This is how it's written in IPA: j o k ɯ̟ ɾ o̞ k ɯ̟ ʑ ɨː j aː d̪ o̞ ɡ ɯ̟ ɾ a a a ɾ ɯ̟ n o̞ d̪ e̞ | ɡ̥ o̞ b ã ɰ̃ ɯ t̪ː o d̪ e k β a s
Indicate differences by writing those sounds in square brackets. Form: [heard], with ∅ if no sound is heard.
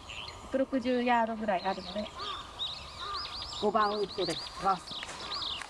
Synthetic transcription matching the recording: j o k ɯ̟ ɾ o̞ k ɯ̟ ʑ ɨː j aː d̪ o̞ ɡ ɯ̟ ɾ a [i] a ɾ ɯ̟ n o̞ d̪ e̞ | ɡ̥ o̞ b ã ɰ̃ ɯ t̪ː o d̪ e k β a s